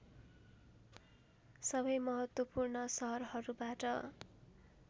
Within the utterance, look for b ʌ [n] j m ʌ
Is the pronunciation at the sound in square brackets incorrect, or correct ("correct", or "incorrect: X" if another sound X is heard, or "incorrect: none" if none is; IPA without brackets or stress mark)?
incorrect: none